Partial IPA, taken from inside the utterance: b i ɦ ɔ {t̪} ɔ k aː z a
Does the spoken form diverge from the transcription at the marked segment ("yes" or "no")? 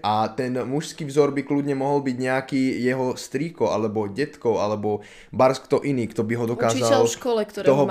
yes